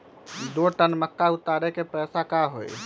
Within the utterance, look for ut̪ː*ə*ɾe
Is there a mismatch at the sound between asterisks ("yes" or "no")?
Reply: yes